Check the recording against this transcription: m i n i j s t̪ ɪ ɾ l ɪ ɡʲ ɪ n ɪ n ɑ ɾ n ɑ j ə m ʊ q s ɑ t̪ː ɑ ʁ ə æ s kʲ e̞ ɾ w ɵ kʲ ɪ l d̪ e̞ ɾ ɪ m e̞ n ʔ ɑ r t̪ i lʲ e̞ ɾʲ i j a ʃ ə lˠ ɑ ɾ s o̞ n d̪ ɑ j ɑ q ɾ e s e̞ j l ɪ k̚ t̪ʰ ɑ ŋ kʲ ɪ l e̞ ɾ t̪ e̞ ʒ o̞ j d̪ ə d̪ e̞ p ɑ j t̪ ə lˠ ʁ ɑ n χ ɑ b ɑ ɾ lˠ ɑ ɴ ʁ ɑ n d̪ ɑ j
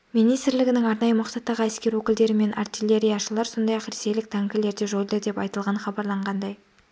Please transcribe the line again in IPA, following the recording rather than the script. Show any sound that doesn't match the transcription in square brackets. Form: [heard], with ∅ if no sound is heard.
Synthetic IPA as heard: m i n i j s t̪ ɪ ɾ l ɪ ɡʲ ɪ n ɪ [ŋ] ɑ ɾ n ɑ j ə m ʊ q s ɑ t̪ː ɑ ʁ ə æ s kʲ e̞ ɾ w ɵ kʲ ɪ l d̪ e̞ ɾ ɪ m e̞ n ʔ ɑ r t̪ i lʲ e̞ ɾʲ i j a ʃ ə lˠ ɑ ɾ s o̞ n d̪ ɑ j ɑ q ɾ e s e̞ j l ɪ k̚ t̪ʰ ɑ ŋ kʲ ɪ l e̞ ɾ [d̪] e̞ ʒ o̞ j d̪ ə d̪ e̞ p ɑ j t̪ ə lˠ ʁ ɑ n χ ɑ b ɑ ɾ lˠ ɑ ɴ ʁ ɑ n d̪ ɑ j